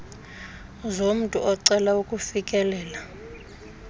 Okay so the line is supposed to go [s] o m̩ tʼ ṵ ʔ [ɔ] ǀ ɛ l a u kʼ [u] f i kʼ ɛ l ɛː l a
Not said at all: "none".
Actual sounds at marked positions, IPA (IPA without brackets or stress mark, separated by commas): z, ɔ, u